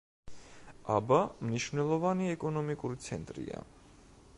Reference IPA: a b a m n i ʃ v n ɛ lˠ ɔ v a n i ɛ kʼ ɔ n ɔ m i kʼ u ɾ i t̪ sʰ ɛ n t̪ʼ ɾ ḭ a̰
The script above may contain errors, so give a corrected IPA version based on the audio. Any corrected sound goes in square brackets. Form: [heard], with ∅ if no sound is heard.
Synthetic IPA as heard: a b a m n i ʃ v n ɛ lˠ ɔ v a n i ɛ kʼ ɔ n ɔ m i kʼ u ɾ i t̪ sʰ ɛ n t̪ʼ ɾ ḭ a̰